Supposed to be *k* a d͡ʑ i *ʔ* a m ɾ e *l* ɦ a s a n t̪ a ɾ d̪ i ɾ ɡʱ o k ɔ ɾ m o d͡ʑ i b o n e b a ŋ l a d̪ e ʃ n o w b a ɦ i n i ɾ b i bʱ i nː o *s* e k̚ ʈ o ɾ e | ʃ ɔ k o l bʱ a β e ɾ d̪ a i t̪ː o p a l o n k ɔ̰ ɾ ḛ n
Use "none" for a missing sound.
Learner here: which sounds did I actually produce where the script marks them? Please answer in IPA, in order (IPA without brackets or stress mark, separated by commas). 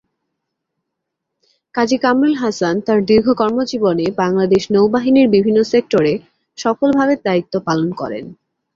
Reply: k, k, l, s